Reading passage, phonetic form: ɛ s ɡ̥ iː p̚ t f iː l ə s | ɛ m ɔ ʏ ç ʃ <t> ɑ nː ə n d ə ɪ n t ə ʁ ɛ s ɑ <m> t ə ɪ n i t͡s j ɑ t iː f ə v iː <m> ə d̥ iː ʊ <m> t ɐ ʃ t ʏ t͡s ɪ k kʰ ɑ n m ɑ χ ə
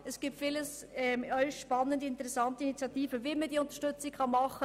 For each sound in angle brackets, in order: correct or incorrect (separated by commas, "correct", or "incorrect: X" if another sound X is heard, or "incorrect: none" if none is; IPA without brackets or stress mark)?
incorrect: p, incorrect: n, correct, incorrect: n